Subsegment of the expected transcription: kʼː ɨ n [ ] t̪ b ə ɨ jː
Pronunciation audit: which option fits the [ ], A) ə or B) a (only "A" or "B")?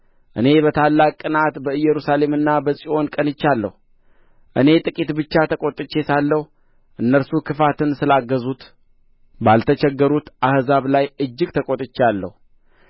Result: B